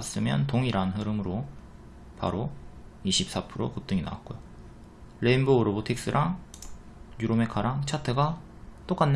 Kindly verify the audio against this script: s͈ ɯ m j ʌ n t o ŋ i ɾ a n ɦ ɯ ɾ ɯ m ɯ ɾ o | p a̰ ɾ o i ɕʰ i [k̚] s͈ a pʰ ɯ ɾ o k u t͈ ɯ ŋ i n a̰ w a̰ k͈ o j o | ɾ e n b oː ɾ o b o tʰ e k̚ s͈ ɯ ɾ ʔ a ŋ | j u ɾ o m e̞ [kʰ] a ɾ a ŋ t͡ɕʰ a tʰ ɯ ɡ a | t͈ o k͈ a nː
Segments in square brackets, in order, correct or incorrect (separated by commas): incorrect, correct